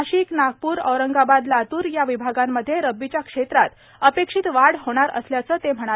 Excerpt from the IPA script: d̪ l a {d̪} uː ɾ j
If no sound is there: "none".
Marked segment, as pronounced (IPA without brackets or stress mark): t̪